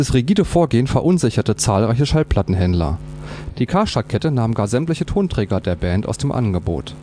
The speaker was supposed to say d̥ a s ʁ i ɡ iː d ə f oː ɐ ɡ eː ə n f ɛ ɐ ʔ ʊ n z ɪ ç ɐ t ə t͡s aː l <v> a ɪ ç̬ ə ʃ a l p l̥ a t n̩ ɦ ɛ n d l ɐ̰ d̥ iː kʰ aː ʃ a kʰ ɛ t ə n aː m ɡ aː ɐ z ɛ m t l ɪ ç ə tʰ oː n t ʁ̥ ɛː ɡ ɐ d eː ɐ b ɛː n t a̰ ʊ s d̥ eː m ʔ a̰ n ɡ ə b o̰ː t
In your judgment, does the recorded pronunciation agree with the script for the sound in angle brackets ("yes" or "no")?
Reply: no